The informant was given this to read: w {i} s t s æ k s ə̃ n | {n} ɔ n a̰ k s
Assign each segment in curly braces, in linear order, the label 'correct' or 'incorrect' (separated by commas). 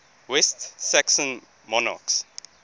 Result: incorrect, incorrect